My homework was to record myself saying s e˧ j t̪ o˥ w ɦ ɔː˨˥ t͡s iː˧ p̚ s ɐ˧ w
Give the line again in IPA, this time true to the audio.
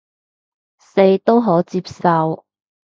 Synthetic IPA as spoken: s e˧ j t̪ o˥ w ɦ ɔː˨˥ t͡s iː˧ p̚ s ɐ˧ w

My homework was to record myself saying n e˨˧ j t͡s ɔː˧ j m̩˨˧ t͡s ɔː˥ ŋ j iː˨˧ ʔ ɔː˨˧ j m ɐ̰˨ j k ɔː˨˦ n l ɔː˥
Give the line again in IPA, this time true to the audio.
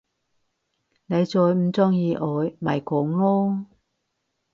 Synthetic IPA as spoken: n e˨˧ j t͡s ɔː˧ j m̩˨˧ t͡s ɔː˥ ŋ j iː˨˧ ʔ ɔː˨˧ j m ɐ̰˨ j k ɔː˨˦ ŋ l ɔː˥

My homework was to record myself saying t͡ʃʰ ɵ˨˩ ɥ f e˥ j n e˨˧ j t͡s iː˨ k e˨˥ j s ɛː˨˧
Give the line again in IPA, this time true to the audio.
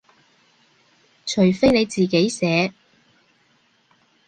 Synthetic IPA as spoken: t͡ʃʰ ɵ˨˩ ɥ f e˥ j n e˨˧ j t͡s iː˨ k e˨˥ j s ɛː˨˧

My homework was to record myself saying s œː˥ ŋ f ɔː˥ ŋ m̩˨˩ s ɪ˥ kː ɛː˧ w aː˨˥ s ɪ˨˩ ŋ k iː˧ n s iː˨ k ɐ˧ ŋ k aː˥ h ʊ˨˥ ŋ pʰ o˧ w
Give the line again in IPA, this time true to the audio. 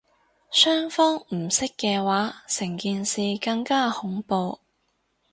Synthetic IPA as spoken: s œː˥ ŋ f ɔː˥ ŋ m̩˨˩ s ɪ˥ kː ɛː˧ w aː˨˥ s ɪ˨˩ ŋ k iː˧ n s iː˨ k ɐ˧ ŋ k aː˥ h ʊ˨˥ ŋ p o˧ w

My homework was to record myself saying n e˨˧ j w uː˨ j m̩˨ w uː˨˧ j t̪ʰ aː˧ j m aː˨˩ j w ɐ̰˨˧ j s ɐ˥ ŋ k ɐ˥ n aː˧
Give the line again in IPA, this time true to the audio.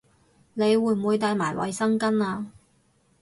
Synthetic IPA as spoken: n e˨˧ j w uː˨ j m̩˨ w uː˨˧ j t̪ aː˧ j m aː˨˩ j w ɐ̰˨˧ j s ɐ˥ ŋ k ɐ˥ n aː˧

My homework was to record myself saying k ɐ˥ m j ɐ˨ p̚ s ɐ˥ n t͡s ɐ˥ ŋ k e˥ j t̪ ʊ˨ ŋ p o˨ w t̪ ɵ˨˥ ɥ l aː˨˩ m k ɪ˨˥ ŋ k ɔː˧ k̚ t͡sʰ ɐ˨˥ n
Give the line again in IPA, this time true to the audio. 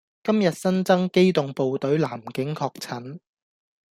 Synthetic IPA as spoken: k ɐ˥ m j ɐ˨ t̚ s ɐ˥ n t͡s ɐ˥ ŋ k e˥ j t̪ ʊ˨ ŋ p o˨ w t̪ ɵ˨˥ ɥ l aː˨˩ m k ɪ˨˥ ŋ kʰ ɔː˧ k̚ t͡sʰ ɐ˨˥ n

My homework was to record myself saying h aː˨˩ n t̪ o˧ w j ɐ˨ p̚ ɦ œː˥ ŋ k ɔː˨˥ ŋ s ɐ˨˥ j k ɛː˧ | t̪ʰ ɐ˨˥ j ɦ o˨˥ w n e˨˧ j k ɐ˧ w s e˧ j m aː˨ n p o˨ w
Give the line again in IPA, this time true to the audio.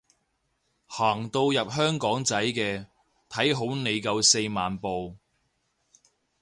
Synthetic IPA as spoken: h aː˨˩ ŋ t̪ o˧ w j ɐ˨ p̚ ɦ œː˥ ŋ k ɔː˨˥ ŋ t͡s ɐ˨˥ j k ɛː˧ | t̪ʰ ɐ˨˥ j ɦ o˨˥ w n e˨˧ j k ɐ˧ w s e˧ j m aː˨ n p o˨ w

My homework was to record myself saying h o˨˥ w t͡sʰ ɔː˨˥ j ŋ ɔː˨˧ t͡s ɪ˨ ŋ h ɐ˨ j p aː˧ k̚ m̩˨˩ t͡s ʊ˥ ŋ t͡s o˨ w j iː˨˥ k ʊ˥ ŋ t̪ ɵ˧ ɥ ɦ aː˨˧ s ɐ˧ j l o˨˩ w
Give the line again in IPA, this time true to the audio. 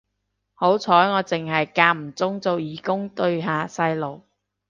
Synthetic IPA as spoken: h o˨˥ w t͡sʰ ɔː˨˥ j ŋ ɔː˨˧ t͡s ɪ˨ ŋ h ɐ˨ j k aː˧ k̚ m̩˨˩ t͡s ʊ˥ ŋ t͡s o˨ w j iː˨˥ k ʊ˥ ŋ t̪ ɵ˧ ɥ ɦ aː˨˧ s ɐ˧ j l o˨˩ w

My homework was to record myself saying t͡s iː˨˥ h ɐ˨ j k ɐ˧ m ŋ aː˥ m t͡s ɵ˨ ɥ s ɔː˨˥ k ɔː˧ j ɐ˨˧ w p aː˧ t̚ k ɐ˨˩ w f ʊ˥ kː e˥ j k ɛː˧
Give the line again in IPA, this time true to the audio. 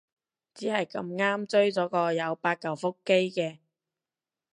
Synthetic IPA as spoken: t͡s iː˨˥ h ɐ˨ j k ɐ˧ m ŋ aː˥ m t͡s ɵ˥ ɥ t͡s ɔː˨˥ k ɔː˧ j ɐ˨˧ w p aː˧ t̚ k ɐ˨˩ w f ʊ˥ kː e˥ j k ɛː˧

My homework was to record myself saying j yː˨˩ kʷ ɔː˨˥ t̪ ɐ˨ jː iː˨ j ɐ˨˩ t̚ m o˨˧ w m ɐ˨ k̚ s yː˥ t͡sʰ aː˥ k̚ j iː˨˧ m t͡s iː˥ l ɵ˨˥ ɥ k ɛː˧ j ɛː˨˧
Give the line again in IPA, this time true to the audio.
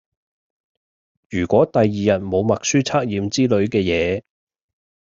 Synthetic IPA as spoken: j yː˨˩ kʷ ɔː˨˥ t̪ ɐ˨ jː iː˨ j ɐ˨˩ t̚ m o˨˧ w m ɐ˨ k̚ s yː˥ t͡sʰ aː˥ k̚ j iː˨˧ m t͡s iː˥ l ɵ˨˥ ɥ k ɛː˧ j ɛː˨˧

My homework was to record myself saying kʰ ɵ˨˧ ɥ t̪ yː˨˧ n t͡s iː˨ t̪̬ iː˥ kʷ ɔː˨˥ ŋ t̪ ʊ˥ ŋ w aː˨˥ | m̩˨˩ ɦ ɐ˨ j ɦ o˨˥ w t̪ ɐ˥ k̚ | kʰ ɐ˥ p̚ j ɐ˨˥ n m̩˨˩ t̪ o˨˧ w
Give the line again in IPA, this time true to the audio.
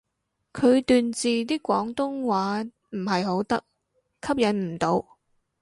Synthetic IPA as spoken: kʰ ɵ˨˧ ɥ t̪ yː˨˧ n t͡s iː˨ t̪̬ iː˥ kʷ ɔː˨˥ ŋ t̪ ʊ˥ ŋ w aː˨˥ | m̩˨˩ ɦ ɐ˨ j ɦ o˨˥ w t̪ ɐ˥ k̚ | kʰ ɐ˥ p̚ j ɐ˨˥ n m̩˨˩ t̪ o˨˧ w

